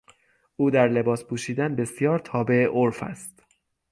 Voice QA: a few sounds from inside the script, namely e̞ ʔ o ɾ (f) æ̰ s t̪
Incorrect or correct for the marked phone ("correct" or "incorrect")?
correct